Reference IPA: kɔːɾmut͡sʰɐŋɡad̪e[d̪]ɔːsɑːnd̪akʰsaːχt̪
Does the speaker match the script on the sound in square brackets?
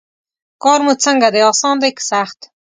no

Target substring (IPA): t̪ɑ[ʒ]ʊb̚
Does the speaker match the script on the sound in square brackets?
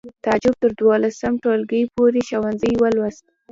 no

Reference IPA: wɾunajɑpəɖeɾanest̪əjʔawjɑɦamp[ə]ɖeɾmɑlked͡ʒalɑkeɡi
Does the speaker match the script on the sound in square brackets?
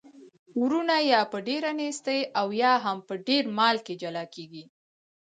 yes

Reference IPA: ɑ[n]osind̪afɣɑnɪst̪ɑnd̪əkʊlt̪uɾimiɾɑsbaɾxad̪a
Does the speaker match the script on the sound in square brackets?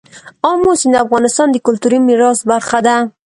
no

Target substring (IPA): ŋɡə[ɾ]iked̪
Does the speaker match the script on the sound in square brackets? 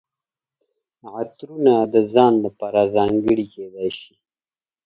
no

